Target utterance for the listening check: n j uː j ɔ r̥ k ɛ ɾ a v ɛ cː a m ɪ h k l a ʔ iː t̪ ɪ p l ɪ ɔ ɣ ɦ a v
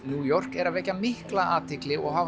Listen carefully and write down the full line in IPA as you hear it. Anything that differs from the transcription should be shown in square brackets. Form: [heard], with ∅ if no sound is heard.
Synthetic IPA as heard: n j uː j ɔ r̥ k ɛ ɾ a v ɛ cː a m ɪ h k l a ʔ [aː] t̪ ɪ [k] l ɪ ɔ ɣ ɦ a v